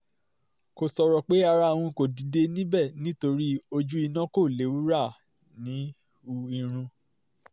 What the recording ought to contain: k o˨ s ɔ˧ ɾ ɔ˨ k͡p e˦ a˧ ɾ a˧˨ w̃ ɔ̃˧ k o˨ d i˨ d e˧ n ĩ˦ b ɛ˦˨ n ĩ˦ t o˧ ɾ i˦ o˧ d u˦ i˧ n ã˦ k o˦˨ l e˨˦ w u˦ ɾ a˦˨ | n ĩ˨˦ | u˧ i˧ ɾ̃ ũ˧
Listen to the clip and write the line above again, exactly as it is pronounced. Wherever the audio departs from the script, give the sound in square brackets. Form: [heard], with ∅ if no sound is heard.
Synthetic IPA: k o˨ s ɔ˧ ɾ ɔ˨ k͡p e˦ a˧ ɾ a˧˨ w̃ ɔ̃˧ k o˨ d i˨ d e˧ n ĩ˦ b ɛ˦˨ n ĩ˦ t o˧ ɾ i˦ o˧ [d͡ʒ] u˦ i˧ n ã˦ k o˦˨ l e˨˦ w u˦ ɾ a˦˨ | n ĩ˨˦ | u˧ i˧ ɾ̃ ũ˧